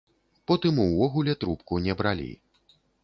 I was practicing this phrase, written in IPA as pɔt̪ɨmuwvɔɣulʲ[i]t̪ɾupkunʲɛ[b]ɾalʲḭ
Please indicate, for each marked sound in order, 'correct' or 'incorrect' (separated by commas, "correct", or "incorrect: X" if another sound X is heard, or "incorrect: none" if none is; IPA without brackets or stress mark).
incorrect: ɛ, correct